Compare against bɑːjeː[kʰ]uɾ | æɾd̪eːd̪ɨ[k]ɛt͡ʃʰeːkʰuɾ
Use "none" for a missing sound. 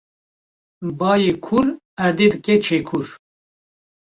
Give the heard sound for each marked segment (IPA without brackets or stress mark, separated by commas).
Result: kʰ, k